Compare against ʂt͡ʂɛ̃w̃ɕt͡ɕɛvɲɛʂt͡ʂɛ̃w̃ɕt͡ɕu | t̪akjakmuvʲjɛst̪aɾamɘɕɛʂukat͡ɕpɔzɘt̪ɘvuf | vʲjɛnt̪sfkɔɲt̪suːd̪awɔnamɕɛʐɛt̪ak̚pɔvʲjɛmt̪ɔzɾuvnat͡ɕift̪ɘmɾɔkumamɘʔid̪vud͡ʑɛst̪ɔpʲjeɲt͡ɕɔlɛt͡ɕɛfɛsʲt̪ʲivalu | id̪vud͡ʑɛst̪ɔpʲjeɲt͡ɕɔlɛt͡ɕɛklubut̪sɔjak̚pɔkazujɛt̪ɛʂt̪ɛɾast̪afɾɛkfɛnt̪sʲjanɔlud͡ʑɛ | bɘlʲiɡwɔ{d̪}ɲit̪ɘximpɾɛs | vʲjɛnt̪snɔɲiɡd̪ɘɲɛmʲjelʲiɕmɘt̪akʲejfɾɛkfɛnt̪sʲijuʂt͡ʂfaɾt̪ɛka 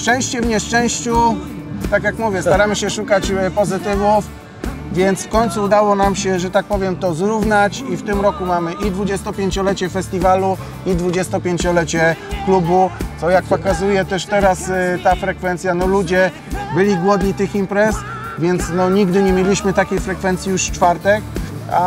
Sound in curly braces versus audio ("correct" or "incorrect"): correct